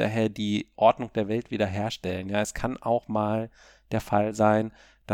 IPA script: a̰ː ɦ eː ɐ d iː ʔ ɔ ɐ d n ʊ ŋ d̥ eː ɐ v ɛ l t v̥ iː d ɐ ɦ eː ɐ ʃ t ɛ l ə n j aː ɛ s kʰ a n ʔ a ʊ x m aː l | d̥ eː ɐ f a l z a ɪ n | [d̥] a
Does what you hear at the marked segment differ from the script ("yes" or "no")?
no